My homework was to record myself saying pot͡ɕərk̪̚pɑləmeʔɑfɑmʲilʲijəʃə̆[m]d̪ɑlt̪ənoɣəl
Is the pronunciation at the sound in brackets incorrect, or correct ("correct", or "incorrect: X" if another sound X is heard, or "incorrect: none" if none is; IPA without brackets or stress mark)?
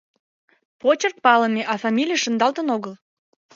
incorrect: n